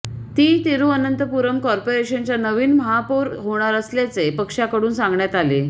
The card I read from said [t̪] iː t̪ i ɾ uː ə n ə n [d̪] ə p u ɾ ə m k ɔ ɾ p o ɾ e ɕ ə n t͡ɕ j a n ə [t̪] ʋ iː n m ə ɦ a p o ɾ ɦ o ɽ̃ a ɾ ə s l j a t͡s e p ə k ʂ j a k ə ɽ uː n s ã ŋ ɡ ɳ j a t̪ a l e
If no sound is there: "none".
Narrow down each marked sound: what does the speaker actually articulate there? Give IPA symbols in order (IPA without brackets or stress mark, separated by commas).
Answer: t̪, t̪, none